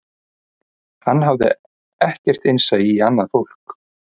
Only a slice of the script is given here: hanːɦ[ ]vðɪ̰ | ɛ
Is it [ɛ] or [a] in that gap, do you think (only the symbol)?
a